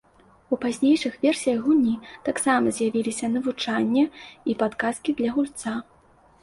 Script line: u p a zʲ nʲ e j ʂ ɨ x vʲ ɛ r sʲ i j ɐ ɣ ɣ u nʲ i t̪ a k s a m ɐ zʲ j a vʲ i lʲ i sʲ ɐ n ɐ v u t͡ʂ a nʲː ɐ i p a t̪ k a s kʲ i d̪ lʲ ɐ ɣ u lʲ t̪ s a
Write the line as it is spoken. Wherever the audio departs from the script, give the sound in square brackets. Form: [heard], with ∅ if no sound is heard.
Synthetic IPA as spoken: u p a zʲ nʲ e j ʂ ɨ x vʲ ɛ r sʲ i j ɐ ɣ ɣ u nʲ i t̪ a k s a m ɐ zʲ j a vʲ i lʲ i sʲ ɐ n ɐ v u t͡ʂ a nʲː ɐ i p a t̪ k a s kʲ i d̪ lʲ ɐ ɣ u lʲ t̪ s a